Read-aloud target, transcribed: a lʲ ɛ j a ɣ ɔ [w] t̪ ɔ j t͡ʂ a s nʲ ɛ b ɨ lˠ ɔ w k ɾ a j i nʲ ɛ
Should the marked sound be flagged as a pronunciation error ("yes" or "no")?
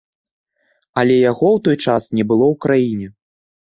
no